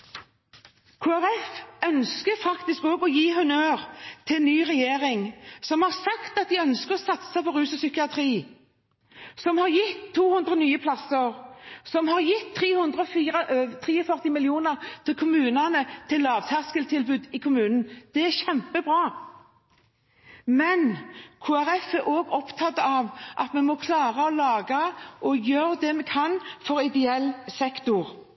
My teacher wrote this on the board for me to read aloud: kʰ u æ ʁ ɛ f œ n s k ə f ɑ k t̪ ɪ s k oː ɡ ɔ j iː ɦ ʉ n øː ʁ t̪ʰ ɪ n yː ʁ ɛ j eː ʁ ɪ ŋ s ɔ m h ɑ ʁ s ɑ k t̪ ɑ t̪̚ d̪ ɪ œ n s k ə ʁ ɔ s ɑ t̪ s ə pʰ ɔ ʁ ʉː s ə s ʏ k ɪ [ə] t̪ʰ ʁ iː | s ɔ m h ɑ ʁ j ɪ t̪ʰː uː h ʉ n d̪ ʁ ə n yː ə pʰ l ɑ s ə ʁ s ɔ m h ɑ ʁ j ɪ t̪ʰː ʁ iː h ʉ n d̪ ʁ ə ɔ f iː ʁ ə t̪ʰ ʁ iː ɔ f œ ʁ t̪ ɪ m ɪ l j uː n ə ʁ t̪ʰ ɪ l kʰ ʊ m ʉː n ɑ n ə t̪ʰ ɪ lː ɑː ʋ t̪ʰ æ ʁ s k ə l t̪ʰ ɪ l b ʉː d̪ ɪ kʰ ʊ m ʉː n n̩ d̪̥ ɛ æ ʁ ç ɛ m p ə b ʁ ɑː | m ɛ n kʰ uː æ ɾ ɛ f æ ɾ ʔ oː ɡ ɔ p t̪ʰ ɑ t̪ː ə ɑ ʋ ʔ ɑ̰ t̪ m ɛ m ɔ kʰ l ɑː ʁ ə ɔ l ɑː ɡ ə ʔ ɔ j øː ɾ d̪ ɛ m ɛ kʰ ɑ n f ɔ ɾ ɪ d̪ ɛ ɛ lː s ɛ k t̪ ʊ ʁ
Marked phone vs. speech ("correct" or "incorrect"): incorrect